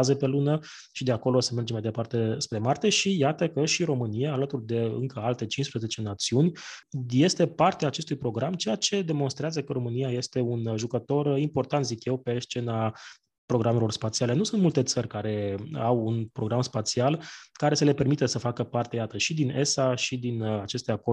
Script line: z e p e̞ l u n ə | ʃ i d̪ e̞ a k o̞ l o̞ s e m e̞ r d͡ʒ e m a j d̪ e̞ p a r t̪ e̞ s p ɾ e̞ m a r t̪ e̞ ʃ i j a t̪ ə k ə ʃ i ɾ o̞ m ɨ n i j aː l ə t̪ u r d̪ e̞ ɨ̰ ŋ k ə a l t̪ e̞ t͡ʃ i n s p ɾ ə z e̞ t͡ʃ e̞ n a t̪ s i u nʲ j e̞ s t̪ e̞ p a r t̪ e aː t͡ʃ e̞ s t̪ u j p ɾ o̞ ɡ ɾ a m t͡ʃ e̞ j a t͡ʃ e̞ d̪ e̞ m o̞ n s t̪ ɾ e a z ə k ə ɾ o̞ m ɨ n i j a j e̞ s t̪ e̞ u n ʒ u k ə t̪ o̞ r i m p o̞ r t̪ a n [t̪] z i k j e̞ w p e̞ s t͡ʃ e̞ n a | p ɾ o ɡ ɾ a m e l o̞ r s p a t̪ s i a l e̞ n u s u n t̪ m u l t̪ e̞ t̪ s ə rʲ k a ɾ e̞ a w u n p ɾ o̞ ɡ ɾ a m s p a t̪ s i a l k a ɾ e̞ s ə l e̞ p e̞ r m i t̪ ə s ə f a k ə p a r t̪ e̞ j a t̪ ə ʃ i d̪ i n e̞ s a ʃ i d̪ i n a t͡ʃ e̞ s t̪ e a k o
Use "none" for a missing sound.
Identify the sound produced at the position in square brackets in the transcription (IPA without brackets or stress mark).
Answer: t̪